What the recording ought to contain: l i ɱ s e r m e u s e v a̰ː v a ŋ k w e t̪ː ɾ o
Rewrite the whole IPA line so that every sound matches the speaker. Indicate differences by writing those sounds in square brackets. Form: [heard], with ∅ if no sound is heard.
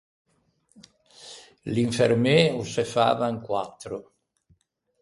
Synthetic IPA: l i ɱ [f] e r m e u s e [f] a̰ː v a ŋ k w [a] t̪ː ɾ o